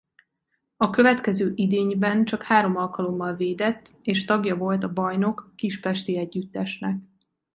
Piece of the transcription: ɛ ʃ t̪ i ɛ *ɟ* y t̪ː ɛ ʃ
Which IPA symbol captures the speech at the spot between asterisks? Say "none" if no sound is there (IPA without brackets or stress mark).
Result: ɟː